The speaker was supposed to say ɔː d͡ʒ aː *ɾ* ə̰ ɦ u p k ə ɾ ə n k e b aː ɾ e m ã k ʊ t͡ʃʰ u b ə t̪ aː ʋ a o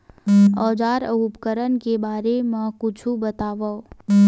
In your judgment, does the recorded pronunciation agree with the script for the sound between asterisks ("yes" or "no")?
yes